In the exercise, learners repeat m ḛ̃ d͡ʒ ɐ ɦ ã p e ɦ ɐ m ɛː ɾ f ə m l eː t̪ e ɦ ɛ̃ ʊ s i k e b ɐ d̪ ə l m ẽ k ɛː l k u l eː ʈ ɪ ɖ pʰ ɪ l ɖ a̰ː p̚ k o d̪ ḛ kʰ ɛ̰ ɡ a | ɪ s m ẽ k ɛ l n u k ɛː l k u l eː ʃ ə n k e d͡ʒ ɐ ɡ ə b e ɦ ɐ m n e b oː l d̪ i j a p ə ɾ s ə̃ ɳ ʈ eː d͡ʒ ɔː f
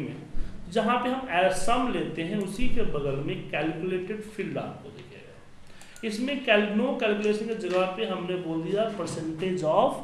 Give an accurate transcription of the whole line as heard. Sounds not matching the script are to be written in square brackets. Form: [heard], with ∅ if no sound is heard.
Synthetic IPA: m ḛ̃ d͡ʒ ɐ ɦ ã p e ɦ ɐ m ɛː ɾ [s] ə m l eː t̪ e ɦ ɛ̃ ʊ s i k e b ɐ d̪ ə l m ẽ k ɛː l k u l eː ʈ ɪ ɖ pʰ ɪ l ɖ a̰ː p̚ k o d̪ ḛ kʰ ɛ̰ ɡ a | ɪ s m ẽ k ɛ l n [o] k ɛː l k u l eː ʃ ə n k e d͡ʒ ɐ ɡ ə [p] e ɦ ɐ m n e b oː l d̪ i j a p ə ɾ s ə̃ ɳ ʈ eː d͡ʒ ɔː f